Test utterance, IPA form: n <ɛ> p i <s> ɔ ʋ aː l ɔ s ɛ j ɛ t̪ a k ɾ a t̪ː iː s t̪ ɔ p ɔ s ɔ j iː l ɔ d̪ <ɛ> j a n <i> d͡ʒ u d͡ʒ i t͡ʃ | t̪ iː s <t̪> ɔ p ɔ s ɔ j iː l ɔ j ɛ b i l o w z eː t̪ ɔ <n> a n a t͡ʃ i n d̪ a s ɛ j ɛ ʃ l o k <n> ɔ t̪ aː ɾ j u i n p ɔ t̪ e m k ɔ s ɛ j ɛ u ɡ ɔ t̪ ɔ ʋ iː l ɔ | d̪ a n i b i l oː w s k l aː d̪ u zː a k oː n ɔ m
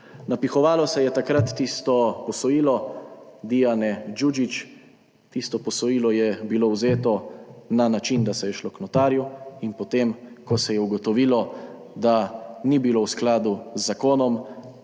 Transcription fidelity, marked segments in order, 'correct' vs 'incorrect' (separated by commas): incorrect, incorrect, incorrect, incorrect, correct, correct, correct